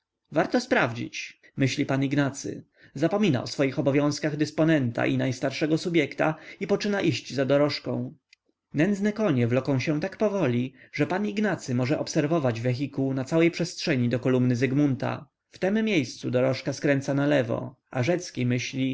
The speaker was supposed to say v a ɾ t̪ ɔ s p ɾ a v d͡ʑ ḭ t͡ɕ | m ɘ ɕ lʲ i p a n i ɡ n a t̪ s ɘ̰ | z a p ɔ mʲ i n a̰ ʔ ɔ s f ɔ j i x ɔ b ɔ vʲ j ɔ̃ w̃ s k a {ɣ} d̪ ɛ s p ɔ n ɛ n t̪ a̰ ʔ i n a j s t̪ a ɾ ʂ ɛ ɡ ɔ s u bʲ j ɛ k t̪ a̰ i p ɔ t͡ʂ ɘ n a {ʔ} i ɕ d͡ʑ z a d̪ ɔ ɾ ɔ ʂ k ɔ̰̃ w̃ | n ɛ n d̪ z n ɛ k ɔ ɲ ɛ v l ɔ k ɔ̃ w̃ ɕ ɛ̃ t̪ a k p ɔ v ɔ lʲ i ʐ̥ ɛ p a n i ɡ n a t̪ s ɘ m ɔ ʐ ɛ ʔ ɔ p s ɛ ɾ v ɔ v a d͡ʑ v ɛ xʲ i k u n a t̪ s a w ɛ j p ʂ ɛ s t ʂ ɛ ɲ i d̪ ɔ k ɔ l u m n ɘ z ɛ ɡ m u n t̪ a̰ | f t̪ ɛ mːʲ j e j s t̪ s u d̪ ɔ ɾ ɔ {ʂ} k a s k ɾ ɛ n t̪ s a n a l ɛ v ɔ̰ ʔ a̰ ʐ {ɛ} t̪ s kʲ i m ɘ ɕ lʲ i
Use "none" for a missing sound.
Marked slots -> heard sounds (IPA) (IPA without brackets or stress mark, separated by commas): ɣ, ʔ, ʂ, ɛ